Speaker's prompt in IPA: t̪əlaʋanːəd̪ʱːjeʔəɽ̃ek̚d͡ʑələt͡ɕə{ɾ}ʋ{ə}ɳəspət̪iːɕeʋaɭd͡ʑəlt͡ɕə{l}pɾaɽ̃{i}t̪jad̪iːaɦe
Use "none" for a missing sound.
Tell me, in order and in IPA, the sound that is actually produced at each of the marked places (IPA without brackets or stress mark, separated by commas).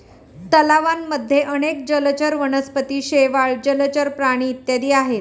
ɾ, ə, ɾ, iː